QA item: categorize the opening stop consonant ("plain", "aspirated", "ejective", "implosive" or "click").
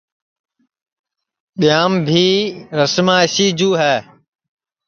implosive